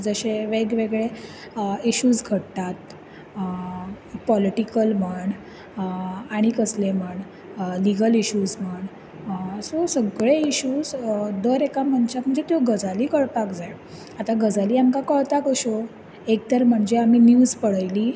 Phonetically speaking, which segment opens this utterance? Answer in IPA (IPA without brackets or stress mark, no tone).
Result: d͡z